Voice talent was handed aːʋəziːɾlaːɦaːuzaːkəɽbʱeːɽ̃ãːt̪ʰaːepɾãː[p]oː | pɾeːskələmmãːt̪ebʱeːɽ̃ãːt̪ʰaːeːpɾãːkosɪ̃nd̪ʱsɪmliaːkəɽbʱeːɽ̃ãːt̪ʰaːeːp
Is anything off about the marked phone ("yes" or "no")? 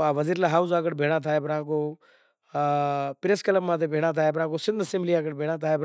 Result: yes